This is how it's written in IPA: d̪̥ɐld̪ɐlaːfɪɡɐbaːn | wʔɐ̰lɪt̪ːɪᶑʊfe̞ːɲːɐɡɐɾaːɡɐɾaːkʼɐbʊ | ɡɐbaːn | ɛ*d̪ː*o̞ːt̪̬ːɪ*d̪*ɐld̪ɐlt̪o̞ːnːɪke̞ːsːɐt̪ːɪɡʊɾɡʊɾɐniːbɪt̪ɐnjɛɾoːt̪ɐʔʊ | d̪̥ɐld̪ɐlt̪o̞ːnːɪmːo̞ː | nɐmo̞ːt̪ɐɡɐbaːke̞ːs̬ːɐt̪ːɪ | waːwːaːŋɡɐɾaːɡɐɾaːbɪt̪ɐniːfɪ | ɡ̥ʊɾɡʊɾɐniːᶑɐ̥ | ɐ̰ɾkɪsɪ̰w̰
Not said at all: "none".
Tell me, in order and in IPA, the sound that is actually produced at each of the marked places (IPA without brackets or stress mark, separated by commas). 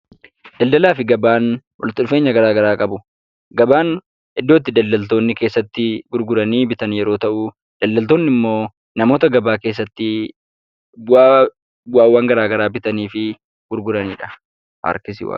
d̪ː, d̪